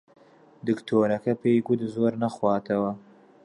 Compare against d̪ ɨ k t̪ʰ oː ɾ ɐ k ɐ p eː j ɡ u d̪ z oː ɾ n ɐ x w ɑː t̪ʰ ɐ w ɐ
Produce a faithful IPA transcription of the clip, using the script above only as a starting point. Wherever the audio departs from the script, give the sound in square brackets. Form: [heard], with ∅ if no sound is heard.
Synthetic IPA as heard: d̪ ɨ k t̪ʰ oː ɾ ɐ k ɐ p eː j ɡ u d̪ z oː ɾ n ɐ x w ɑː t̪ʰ ɐ w ɐ